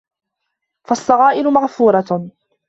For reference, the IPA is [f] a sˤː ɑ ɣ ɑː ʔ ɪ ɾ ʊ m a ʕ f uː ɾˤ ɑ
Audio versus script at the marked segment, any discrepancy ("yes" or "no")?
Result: no